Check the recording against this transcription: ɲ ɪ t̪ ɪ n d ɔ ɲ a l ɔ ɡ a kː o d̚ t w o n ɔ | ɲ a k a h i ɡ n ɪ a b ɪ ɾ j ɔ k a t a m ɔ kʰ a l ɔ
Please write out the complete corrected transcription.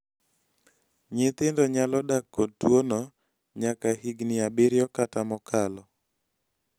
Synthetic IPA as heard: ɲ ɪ t̪ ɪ n d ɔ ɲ a l ɔ d a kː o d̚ t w o n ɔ | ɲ a k a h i ɡ n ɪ a b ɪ ɾ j ɔ k a t a m ɔ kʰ a l ɔ